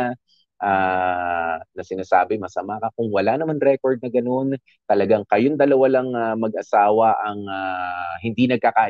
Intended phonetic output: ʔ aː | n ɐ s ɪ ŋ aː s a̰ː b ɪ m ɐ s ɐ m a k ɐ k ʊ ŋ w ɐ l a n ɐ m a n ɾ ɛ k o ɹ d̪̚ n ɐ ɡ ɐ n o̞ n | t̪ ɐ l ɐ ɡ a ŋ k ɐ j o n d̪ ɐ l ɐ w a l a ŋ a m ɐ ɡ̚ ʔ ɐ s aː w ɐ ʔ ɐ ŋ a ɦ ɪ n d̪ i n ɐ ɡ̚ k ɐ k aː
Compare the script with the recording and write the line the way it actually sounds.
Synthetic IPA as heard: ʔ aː | n ɐ s ɪ n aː s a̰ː b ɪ m ɐ s ɐ m a k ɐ k ʊ ŋ w ɐ l a n ɐ m a n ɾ ɛ k o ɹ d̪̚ n ɐ ɡ ɐ n o̞ n | t̪ ɐ l ɐ ɡ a ŋ k ɐ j o n d̪ ɐ l ɐ w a l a ŋ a m ɐ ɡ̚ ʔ ɐ s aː w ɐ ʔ ɐ ŋ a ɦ ɪ n d̪ i n ɐ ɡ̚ k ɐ k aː